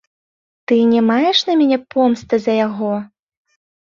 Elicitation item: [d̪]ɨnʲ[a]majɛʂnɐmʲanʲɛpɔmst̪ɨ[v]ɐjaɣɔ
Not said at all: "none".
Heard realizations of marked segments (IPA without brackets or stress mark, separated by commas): t̪, ɛ, z